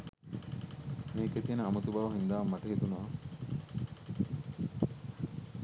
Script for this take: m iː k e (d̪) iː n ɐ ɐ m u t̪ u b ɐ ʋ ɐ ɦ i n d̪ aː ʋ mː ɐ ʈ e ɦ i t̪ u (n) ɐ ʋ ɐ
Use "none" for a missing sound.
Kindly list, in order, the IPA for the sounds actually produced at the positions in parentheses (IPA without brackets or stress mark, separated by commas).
t̪, n